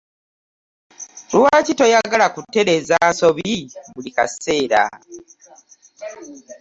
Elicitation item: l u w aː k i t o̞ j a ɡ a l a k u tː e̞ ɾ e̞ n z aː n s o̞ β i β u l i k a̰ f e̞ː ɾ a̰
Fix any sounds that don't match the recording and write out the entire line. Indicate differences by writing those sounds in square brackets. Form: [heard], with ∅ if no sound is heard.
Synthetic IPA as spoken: l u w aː [c] i t o̞ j a ɡ a l a k u tː e̞ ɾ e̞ [∅] z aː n s o̞ β i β u l i k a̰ [s] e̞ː ɾ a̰